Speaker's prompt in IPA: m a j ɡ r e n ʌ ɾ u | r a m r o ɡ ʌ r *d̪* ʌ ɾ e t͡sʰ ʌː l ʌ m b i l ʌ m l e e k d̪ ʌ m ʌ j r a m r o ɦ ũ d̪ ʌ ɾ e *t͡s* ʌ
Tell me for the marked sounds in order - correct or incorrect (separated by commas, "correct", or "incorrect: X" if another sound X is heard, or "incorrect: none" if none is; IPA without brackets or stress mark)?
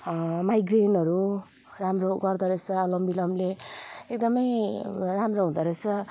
correct, incorrect: t͡sʰ